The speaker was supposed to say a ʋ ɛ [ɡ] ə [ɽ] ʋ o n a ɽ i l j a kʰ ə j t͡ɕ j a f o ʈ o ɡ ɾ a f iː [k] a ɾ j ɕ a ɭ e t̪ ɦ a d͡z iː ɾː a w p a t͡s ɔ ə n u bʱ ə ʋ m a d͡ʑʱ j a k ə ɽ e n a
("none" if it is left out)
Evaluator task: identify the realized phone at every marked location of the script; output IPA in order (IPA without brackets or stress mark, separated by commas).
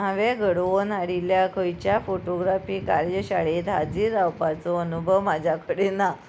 ɡ, ɽ, k